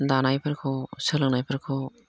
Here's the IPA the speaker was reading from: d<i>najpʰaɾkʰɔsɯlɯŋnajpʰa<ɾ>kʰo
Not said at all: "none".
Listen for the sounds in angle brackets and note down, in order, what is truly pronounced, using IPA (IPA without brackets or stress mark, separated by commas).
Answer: a, ɾ